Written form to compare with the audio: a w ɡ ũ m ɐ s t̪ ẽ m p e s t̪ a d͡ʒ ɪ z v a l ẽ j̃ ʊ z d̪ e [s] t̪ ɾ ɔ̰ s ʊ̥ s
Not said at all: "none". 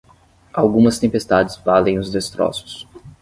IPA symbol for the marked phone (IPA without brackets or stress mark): s